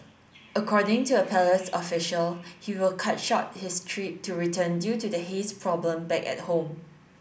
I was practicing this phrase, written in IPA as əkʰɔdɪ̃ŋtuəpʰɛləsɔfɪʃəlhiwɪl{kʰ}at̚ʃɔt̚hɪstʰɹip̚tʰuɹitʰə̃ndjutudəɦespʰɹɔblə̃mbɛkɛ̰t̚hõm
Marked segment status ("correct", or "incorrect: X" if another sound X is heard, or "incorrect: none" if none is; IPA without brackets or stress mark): correct